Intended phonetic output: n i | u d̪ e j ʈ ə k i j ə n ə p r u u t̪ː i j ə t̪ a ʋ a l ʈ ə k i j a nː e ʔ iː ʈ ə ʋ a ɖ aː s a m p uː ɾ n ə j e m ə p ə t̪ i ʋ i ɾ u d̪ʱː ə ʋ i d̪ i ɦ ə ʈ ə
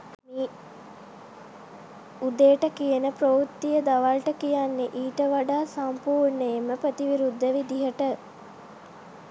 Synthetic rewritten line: m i | u d̪ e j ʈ ə k i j ə n ə p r o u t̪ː i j ə d̪ a ʋ a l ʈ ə k i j a nː e ʔ iː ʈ ə ʋ a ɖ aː s a m p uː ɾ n ə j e m ə p ə t̪ i ʋ i ɾ u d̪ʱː ə ʋ i d̪ i ɦ ə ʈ ə